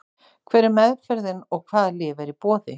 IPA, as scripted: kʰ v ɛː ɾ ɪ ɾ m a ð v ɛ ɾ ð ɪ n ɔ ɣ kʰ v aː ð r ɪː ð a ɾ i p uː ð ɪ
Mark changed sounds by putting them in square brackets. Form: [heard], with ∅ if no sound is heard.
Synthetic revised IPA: kʰ v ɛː ɾ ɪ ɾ m [ɛ] ð [f] ɛ ɾ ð ɪ n ɔ ɣ kʰ v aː ð [l] ɪː [v] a ɾ i p [ɔː] ð ɪ